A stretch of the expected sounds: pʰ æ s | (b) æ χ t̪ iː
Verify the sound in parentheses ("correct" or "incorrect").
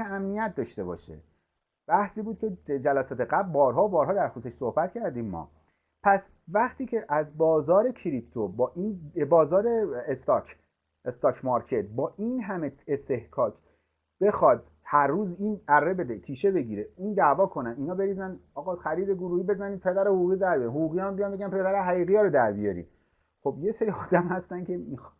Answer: incorrect